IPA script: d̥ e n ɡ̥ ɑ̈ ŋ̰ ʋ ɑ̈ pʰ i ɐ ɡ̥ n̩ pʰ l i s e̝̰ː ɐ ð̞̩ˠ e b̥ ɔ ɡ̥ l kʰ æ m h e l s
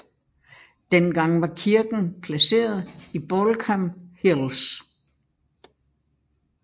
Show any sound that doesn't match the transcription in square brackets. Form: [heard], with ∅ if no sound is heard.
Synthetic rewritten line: d̥ e n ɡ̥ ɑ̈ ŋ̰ ʋ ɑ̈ [kʰ] i ɐ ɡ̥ n̩ pʰ l [æ] s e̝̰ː ɐ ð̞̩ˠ [i] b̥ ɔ [∅] l kʰ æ m h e l s